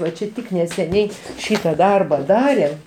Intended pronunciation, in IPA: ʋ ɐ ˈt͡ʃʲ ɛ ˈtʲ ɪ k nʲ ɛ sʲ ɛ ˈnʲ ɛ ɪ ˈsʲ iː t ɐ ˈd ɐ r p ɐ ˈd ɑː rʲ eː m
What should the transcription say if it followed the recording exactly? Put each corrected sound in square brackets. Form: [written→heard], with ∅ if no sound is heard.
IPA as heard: ʋ ɐ ˈt͡ʃʲ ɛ ˈtʲ ɪ k nʲ ɛ sʲ ɛ ˈnʲ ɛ ɪ [ˈsʲ→ˈʃʲ] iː t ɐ ˈd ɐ r [p→b] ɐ ˈd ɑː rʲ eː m